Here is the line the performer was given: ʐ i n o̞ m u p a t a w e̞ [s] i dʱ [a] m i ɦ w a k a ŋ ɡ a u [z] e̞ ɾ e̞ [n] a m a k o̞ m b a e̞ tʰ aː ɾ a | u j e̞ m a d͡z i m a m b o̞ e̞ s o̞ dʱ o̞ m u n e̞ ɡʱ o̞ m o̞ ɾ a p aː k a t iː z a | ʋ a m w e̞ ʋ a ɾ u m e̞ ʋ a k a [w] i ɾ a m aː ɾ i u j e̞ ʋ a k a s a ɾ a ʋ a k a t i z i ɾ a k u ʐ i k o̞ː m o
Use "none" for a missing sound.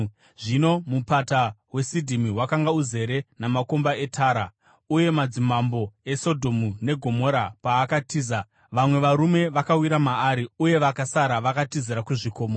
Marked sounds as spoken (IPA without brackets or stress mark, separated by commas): s, i, z, n, w